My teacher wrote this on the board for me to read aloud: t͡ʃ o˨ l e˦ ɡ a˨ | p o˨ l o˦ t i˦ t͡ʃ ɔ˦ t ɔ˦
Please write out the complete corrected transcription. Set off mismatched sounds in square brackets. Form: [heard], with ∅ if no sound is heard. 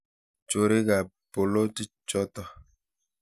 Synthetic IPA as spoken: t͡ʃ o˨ [ɾ] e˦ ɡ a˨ | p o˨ l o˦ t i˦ t͡ʃ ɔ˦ t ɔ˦